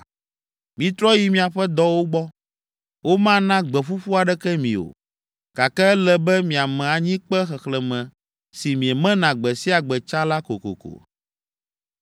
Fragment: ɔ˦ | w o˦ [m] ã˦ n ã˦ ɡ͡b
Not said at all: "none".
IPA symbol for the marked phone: m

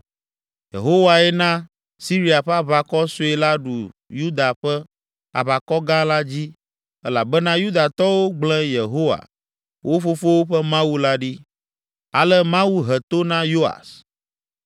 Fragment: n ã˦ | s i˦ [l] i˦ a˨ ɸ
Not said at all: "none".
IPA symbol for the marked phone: ɾ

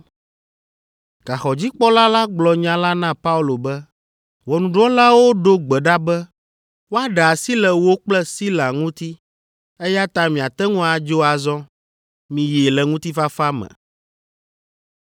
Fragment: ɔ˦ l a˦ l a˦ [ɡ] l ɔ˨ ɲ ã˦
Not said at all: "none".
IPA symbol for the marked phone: ɡ͡b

